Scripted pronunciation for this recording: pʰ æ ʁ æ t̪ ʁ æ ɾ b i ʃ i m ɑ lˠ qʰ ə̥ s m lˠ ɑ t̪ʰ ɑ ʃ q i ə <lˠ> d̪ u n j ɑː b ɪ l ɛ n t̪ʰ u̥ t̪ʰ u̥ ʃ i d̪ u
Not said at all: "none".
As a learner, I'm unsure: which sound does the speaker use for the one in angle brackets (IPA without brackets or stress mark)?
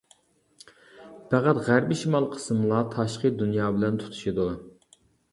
none